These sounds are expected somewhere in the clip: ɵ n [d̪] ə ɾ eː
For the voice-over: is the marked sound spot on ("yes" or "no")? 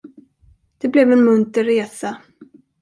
no